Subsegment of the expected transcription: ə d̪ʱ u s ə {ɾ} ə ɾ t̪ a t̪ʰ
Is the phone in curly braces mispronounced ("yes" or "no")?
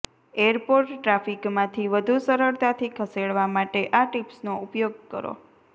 no